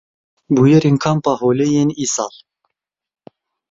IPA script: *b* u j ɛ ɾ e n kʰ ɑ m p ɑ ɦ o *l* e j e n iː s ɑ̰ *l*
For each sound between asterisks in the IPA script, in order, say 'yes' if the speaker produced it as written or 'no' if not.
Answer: yes, yes, yes

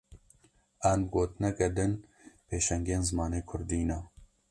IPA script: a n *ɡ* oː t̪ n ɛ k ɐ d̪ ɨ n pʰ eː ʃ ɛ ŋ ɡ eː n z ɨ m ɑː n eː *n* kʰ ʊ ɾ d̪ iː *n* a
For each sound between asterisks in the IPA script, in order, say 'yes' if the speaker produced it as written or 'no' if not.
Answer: yes, no, yes

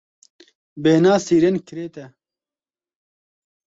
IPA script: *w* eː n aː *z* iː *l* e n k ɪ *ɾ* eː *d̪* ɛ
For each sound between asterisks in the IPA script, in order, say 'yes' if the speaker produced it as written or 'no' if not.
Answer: no, no, no, yes, no

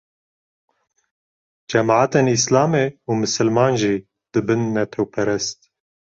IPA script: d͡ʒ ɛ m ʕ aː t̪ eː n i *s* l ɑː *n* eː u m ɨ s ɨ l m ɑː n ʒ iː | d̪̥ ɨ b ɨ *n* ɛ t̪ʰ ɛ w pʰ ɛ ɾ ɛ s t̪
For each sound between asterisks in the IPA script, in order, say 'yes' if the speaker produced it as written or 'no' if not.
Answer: yes, no, no

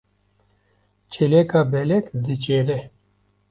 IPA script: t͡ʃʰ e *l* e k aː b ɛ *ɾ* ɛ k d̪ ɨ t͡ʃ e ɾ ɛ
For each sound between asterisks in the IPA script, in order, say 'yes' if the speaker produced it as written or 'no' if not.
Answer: yes, no

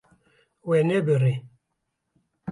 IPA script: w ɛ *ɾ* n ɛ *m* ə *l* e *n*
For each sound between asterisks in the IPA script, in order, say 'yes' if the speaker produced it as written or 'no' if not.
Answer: no, no, no, no

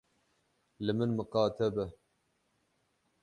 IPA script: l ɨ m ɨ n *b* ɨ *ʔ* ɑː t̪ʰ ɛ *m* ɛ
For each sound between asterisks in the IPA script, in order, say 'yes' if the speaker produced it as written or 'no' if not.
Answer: no, no, no

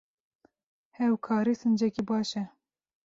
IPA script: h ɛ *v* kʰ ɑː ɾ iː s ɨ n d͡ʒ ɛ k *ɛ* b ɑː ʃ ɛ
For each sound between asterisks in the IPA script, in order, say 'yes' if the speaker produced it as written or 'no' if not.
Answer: no, no

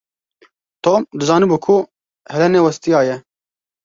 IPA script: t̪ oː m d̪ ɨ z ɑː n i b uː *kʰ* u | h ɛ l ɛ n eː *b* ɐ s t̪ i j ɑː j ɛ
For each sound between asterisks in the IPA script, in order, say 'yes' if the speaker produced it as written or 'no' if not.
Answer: yes, no

